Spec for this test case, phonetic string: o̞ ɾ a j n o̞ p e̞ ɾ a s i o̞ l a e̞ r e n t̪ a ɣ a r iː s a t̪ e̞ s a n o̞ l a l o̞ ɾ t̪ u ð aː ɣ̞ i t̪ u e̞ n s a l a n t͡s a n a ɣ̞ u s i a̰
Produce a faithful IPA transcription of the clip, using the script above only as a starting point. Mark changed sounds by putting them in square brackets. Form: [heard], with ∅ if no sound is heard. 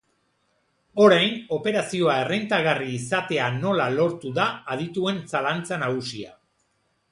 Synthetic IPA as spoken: o̞ ɾ a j n o̞ p e̞ ɾ a s i o̞ [∅] a e̞ r e n t̪ a ɣ a r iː s a t̪ e̞ [∅] a n o̞ l a l o̞ ɾ t̪ u ð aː [ð̞] i t̪ u e̞ n s a l a n t͡s a n a ɣ̞ u s i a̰